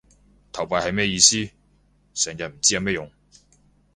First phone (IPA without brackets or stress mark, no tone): t̪ʰ